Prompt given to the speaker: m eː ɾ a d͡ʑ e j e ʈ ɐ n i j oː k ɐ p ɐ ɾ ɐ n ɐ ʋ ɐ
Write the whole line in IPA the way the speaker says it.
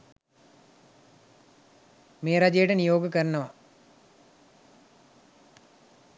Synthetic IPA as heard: m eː ɾ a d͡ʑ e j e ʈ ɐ n i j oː ɡ ɐ k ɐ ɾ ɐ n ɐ ʋ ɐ

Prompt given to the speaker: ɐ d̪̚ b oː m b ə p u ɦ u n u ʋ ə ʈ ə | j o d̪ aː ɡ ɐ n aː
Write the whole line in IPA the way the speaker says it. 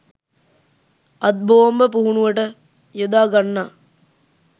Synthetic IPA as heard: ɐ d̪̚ b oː m b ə p u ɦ u n u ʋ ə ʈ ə | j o d̪ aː ɡ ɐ nː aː

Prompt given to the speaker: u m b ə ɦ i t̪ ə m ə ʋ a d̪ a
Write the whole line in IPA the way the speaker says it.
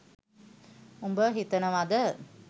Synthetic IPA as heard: u m b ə ɦ i t̪ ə n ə ʋ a d̪ ə

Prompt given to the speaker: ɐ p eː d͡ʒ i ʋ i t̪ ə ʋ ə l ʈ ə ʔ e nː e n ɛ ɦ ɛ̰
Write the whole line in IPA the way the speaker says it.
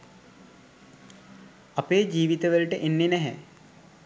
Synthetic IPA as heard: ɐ p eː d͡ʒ iː ʋ i t̪ ə ʋ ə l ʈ ə ʔ e nː e n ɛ ɦ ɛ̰

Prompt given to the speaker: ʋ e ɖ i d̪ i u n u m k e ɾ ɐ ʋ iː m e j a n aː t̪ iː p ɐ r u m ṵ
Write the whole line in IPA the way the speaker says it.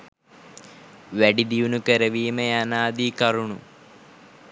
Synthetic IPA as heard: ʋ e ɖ i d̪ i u n u k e ɾ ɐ ʋ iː m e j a n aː d̪ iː k ɐ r u ɳ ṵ

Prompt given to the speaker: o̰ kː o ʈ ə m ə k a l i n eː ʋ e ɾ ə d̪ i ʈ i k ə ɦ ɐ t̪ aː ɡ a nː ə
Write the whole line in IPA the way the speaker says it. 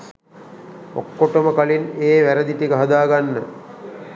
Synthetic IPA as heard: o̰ kː o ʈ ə m ə k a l i n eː ʋ æ ɾ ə d̪ i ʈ i k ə ɦ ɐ d̪ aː ɡ a nː ə

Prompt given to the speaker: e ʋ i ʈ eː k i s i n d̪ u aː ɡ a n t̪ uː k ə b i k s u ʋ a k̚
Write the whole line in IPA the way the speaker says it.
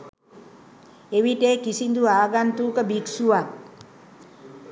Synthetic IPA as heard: e ʋ i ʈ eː k i s i n d̪ u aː ɡ a n t̪ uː k ə b i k s u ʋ a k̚

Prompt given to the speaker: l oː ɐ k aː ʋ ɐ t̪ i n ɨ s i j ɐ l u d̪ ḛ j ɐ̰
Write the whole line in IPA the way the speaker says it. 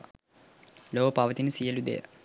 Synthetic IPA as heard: l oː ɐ p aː ʋ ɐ t̪ i n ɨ s i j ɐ l u d̪ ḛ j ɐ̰

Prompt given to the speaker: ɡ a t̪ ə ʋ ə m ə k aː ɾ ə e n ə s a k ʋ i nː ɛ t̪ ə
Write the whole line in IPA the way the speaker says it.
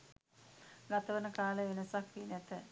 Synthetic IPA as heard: ɡ a t̪ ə ʋ ə n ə k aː l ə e n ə s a k ʋ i n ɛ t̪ ə

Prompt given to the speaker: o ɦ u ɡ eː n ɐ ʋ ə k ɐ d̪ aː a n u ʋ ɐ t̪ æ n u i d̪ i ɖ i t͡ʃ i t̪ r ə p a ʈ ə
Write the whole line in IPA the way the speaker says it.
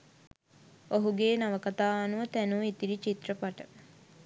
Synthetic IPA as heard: o ɦ u ɡ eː n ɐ ʋ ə k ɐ t̪ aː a n u ʋ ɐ t̪ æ n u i t̪ i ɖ i t͡ʃ i t̪ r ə p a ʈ ə

